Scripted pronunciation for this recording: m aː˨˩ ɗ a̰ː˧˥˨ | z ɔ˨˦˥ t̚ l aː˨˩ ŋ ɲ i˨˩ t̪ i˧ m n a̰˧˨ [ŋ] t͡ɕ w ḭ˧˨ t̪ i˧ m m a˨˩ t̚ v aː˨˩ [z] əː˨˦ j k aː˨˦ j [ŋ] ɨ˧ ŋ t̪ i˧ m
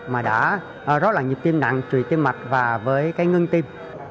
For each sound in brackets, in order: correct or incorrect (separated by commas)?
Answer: correct, incorrect, correct